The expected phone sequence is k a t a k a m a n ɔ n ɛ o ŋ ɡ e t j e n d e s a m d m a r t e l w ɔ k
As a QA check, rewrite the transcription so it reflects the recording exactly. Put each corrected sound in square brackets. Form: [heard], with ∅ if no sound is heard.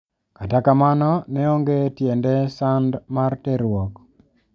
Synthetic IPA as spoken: k a t a k a m a n ɔ n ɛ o ŋ ɡ e t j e n d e s a [n] d m a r t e [ɾ] w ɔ k

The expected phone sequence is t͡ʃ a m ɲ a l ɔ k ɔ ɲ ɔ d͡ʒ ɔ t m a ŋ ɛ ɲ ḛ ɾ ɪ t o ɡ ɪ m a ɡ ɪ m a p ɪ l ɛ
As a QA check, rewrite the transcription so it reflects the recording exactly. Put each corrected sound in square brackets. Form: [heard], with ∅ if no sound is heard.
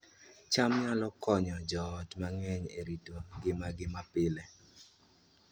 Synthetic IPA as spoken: t͡ʃ a m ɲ a l ɔ k ɔ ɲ ɔ d͡ʒ ɔ t m a ŋ ɛ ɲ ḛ ɾ [i] t o ɡ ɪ m a ɡ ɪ m a p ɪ l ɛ

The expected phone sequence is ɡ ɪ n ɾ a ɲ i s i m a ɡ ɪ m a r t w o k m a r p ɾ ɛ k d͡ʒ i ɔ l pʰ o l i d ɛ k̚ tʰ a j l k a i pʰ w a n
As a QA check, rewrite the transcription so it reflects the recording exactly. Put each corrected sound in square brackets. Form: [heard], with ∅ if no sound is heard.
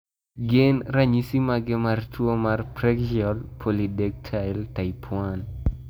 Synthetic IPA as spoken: ɡ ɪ n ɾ a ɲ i s i m a ɡ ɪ m a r t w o [∅] m a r p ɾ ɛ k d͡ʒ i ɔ l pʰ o l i d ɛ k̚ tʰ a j l [t] a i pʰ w a n

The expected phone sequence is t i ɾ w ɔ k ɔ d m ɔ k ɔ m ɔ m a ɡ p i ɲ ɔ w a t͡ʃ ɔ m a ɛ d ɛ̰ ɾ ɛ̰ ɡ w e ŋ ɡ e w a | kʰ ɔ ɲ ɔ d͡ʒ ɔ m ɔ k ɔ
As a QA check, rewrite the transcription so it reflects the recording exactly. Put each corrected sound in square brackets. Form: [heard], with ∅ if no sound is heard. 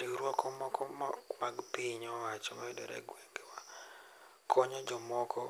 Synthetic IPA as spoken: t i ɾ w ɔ k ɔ [∅] m ɔ k ɔ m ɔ m a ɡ p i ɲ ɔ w a t͡ʃ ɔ m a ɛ d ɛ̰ ɾ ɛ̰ ɡ w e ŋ ɡ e w a | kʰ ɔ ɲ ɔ d͡ʒ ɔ m ɔ k ɔ

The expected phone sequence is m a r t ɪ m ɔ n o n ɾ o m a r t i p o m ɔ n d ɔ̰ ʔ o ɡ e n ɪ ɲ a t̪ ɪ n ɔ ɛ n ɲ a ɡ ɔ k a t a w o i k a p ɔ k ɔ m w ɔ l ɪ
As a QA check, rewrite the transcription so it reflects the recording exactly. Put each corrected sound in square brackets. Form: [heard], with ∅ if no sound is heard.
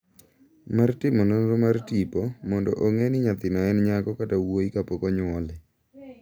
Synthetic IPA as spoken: m a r t ɪ m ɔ n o n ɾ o m a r t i p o m ɔ n d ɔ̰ ʔ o [ŋ] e n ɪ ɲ a t̪ ɪ n ɔ ɛ n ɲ a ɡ ɔ k a t a w o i k a p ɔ k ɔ [ɲ] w ɔ l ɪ

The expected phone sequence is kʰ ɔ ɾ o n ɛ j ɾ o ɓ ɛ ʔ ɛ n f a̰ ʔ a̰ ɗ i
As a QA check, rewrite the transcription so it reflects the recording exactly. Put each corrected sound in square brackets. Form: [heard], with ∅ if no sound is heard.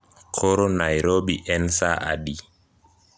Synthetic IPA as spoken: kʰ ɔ ɾ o n [a] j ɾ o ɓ [i] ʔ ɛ n [s] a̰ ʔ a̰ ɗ i

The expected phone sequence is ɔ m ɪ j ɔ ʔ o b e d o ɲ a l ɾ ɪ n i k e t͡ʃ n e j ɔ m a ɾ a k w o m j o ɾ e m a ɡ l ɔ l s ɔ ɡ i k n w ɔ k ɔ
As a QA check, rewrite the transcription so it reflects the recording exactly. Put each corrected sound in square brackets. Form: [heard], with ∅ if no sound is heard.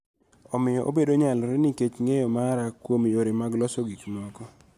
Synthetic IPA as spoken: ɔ m ɪ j ɔ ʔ o b e d o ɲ a l ɾ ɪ n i k e t͡ʃ [ŋ] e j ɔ m a ɾ a k w o m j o ɾ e m a ɡ l ɔ [∅] s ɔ ɡ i k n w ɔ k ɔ

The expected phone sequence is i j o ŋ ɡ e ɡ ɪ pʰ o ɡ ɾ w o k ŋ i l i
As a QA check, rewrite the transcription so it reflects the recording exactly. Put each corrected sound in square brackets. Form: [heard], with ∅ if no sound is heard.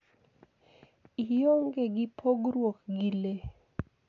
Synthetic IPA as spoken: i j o ŋ ɡ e ɡ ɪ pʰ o ɡ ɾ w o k [ɡ] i l [e]

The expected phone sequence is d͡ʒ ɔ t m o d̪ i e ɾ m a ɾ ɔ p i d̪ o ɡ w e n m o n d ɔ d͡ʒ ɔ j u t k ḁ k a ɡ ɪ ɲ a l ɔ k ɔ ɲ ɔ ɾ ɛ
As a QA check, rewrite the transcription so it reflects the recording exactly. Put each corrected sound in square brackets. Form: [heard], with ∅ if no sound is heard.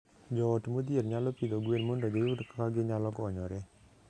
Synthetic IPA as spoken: d͡ʒ ɔ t m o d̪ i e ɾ [ɲ] a [l] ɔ p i d̪ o ɡ w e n m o n d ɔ d͡ʒ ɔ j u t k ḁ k a ɡ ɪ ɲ a l ɔ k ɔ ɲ ɔ ɾ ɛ

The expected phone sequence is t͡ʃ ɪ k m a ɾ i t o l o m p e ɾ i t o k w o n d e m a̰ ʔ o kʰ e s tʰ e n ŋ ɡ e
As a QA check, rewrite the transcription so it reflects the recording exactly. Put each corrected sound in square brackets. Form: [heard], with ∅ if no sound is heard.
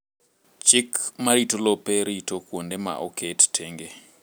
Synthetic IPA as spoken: t͡ʃ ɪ k m a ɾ i t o l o [∅] p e ɾ i t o k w o n d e m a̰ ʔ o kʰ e [t] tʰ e [∅] ŋ ɡ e

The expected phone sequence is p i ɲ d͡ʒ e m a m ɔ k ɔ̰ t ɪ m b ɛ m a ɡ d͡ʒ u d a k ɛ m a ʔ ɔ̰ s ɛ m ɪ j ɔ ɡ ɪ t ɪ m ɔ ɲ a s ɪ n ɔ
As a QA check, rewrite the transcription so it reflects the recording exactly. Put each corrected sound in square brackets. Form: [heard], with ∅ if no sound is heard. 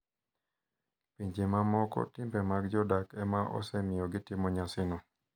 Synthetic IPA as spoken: p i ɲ d͡ʒ e m a m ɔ k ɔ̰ t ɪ m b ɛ m a ɡ d͡ʒ [ɔ] d a k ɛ m a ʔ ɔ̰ s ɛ m ɪ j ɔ ɡ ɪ t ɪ m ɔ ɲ a s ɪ n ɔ

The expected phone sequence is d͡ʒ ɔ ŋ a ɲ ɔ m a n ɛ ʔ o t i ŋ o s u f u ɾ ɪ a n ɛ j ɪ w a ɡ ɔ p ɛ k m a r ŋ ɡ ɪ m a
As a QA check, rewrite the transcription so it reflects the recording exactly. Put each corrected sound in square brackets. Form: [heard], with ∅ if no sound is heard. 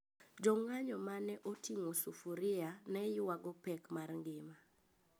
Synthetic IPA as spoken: d͡ʒ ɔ ŋ a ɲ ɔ m a n ɛ ʔ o t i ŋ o s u f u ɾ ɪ a n ɛ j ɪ w a ɡ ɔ p ɛ k m a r ŋ ɡ ɪ m a

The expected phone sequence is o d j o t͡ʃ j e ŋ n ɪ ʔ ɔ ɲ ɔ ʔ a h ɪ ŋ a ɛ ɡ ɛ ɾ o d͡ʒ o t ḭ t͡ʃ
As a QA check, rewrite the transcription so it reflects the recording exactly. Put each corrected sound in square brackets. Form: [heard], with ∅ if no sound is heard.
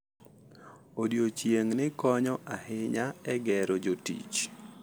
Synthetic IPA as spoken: o d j o t͡ʃ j e ŋ n ɪ [k] ɔ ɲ ɔ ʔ a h ɪ [ɲ] a ɛ ɡ ɛ ɾ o d͡ʒ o t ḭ t͡ʃ

